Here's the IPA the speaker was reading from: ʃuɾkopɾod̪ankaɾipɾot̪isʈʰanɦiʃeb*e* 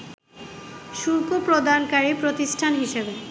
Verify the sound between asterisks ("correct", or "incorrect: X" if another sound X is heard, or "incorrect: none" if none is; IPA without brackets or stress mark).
correct